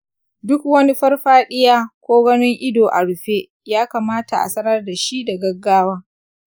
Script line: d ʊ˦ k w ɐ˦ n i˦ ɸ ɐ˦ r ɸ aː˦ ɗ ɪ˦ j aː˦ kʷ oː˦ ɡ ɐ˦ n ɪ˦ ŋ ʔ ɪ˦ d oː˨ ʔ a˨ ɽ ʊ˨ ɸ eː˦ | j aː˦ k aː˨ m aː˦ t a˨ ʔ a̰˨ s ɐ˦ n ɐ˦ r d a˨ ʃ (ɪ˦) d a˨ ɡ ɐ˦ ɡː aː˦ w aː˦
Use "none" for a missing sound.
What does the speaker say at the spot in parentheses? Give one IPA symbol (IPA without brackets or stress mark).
i˦